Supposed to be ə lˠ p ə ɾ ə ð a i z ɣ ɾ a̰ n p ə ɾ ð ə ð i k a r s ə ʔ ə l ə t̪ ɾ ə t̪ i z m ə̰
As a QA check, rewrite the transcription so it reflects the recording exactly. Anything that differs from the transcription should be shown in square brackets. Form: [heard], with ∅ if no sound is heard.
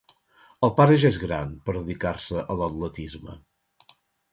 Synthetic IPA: ə lˠ p [a] ɾ ə [ʒ] a [e] z ɣ ɾ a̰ n p ə ɾ ð ə ð i k a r s ə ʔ ə l ə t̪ [l] ə t̪ i z m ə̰